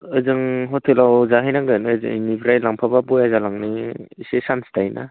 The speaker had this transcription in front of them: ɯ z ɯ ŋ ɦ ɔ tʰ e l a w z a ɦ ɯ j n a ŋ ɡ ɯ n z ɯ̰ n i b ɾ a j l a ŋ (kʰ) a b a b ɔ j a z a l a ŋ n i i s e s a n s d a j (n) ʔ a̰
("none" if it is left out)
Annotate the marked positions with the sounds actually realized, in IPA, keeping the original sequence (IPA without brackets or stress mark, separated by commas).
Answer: pʰ, n